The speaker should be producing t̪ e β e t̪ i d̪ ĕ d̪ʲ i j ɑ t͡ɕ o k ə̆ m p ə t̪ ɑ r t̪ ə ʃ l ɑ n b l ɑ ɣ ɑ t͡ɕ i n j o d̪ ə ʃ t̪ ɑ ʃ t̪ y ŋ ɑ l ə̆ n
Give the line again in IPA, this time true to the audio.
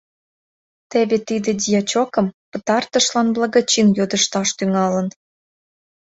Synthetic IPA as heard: t̪ e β e t̪ i d̪ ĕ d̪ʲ i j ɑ t͡ɕ o k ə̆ m p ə t̪ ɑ r t̪ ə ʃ l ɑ n b l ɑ ɣ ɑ t͡ɕ i n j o d̪ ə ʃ t̪ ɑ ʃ t̪ y ŋ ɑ l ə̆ n